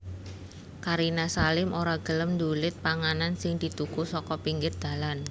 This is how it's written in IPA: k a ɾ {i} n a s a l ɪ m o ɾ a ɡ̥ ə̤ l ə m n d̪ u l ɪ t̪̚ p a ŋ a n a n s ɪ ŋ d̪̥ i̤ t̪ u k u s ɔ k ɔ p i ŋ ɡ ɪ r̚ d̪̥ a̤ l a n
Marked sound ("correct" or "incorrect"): correct